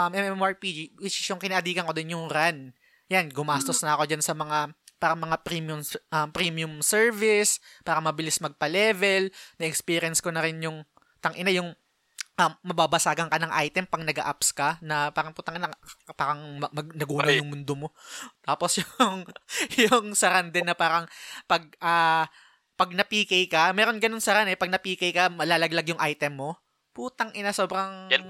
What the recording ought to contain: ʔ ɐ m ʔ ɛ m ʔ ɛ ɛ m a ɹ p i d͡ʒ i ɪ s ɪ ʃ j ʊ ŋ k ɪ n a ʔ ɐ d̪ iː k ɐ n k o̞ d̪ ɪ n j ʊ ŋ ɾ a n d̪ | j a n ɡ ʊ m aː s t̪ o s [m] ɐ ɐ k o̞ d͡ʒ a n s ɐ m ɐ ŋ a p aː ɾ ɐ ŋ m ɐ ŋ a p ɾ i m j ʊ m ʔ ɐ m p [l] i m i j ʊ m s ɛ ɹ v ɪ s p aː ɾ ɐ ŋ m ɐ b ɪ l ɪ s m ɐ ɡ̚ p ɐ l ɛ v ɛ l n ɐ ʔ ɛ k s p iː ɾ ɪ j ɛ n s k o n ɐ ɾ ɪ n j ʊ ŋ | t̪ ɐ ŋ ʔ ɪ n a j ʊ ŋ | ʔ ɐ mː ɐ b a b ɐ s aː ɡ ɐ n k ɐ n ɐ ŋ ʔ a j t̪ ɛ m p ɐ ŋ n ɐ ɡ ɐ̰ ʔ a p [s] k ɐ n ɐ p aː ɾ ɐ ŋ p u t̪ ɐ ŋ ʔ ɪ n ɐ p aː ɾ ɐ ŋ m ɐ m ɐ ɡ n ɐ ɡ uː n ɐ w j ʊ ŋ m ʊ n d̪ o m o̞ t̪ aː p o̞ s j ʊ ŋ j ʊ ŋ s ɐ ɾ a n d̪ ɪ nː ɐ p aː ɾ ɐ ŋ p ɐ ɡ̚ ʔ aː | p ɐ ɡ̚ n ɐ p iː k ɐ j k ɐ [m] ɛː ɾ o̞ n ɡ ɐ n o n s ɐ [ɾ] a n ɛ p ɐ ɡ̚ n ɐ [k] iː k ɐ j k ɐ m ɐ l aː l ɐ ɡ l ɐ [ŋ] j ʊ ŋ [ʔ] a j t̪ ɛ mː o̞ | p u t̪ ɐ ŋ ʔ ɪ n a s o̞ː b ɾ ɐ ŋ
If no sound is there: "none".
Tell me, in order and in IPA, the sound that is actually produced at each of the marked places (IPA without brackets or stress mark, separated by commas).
n, ɾ, s, m, ɾ, p, ɡ, ʔ